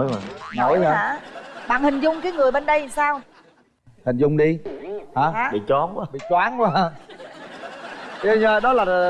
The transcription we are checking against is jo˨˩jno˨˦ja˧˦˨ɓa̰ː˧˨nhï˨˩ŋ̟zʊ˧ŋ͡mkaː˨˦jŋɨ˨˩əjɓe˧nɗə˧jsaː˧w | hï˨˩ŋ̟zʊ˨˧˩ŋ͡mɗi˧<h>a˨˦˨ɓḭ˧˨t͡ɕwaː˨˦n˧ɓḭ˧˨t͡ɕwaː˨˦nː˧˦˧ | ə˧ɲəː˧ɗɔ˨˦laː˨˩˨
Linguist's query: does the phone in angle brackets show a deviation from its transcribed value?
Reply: no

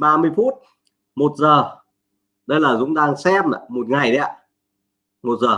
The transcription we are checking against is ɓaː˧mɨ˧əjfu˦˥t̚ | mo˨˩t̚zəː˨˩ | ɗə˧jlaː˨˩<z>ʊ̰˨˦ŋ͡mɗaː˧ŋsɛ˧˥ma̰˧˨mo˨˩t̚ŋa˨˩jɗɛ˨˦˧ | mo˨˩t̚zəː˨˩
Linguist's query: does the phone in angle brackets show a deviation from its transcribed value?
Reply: no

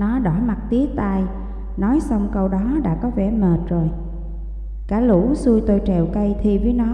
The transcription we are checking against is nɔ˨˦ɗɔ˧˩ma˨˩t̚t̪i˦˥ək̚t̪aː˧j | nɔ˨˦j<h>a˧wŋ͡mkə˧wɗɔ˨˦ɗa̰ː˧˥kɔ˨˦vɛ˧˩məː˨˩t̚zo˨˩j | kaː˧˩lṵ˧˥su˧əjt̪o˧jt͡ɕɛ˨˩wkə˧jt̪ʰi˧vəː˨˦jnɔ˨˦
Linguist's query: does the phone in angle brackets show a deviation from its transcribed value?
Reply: yes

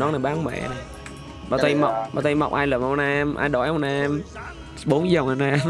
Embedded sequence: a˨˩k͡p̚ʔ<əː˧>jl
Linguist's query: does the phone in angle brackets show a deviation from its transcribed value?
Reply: yes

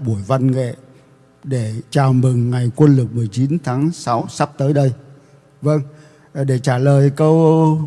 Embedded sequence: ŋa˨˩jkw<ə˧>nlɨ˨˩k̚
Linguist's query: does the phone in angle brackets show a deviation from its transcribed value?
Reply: no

